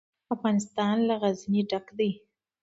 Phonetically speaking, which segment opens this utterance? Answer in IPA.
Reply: a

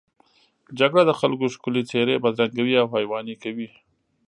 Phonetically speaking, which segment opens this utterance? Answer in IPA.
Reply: d͡ʒ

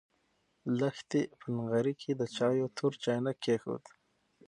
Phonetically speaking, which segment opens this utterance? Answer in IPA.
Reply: l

